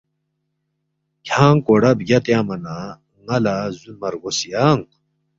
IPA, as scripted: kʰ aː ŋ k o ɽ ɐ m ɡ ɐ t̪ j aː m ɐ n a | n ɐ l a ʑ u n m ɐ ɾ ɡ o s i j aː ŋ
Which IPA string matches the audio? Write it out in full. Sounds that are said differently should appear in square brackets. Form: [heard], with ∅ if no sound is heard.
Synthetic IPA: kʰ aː ŋ k o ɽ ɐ [b] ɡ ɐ t̪ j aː m ɐ n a | [ŋ] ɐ l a [z] u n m ɐ ɾ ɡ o s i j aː ŋ